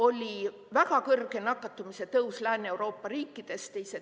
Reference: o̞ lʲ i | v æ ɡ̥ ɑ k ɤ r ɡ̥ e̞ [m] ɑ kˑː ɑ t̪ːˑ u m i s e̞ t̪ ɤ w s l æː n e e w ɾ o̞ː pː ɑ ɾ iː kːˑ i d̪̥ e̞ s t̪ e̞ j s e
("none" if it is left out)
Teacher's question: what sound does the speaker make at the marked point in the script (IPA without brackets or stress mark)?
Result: n